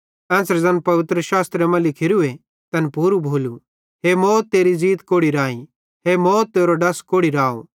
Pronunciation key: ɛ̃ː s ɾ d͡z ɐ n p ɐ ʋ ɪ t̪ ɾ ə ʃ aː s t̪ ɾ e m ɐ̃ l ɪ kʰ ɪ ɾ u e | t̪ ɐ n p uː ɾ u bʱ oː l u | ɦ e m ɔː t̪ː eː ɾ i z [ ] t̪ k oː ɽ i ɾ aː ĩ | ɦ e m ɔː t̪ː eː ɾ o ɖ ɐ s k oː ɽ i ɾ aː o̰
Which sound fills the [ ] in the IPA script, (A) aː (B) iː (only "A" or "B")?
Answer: B